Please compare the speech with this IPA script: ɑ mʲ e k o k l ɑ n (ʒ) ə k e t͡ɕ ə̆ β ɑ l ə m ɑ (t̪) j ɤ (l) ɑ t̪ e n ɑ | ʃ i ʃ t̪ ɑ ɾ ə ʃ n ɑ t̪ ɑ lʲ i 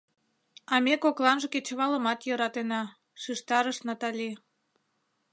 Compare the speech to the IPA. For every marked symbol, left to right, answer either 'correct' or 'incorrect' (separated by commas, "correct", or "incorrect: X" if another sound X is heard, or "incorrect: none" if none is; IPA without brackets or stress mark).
correct, correct, incorrect: ɾ